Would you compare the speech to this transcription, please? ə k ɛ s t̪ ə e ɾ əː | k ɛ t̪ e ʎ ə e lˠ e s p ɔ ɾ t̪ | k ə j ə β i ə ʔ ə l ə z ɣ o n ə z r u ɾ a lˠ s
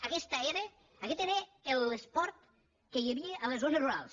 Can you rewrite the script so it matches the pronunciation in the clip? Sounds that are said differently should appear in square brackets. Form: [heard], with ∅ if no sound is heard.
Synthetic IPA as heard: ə k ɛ s t̪ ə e ɾ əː | k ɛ t̪ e [ɾ] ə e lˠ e s p ɔ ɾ t̪ | k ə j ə β i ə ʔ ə l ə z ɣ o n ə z r u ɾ a lˠ s